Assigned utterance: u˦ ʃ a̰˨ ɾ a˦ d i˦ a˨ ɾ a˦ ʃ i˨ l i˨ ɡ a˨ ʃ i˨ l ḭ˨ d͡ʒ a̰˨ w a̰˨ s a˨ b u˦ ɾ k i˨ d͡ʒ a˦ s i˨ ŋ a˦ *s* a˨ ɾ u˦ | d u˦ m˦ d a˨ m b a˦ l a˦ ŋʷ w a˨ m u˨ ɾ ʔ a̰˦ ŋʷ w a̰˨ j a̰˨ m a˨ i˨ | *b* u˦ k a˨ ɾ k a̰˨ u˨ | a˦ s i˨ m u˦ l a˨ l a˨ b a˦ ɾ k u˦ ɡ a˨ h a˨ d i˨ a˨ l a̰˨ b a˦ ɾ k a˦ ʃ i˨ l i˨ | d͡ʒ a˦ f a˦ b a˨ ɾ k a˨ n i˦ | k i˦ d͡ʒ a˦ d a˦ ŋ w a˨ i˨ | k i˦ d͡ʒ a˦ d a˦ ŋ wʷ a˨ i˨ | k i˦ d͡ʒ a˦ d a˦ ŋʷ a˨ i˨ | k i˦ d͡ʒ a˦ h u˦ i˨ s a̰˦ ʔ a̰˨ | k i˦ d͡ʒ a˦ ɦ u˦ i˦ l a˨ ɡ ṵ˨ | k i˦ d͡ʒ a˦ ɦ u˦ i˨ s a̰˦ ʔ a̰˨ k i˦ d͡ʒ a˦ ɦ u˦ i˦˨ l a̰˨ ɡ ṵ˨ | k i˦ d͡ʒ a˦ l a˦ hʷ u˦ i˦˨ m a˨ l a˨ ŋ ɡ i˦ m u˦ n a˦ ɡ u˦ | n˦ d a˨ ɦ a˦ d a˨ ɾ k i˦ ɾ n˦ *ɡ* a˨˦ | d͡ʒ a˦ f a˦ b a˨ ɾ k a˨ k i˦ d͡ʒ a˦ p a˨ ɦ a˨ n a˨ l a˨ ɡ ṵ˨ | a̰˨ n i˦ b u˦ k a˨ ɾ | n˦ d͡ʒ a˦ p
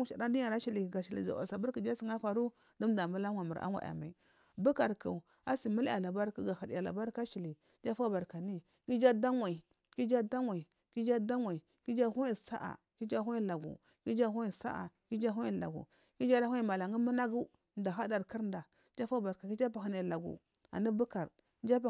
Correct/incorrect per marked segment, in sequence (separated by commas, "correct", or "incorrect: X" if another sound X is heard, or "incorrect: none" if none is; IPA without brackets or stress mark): incorrect: f, correct, incorrect: d